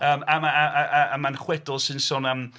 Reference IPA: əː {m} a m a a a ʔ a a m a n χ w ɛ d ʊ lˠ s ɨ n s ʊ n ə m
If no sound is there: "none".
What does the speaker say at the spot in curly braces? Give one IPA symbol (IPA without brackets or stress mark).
m